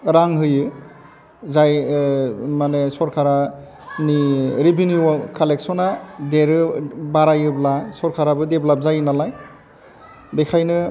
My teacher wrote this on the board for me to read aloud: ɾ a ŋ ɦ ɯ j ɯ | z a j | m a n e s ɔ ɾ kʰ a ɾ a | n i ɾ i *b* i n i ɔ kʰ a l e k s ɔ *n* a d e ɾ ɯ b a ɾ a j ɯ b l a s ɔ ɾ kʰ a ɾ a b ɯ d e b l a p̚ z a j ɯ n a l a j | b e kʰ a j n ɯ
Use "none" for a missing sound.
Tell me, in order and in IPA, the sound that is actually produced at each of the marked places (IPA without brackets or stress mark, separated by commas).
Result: b, n